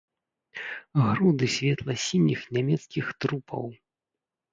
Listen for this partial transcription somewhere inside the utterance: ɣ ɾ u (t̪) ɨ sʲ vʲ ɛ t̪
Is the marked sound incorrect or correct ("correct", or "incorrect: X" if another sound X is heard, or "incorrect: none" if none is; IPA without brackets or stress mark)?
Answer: incorrect: d̪